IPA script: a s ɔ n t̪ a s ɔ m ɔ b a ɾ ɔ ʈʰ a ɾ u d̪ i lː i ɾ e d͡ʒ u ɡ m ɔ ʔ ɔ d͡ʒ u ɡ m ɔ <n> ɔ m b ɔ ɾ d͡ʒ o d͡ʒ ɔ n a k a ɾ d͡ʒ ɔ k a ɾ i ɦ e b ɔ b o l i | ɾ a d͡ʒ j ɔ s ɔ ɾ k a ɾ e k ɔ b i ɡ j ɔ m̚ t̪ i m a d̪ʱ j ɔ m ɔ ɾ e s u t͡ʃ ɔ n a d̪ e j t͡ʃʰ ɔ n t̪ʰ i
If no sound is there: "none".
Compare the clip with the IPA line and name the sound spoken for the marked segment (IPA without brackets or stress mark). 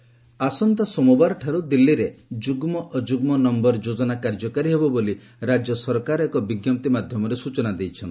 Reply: n